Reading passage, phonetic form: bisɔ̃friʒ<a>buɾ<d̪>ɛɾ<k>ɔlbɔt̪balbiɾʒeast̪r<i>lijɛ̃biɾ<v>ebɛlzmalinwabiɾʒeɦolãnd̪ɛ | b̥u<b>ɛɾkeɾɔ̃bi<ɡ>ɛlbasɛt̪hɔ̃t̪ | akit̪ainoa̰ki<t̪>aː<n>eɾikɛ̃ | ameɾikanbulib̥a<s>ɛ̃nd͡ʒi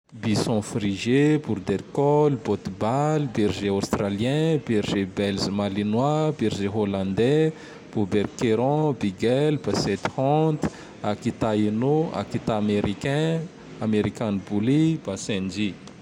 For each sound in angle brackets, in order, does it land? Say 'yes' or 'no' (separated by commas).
no, yes, yes, no, no, yes, yes, yes, no, yes